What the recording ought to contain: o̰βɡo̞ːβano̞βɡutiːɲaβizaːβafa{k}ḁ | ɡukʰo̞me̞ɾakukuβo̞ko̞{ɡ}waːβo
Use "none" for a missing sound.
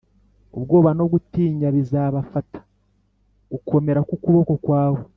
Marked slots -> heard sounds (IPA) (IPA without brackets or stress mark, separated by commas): t, k